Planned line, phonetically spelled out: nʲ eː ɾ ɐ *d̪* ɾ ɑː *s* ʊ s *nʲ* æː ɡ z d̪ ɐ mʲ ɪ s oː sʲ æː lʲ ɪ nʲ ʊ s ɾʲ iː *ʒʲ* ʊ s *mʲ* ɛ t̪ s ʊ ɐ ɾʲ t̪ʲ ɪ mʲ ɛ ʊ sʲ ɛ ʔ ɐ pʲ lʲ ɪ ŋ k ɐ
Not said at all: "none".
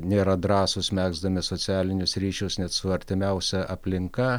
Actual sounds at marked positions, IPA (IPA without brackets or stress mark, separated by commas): d̪, s, mʲ, ʃʲ, nʲ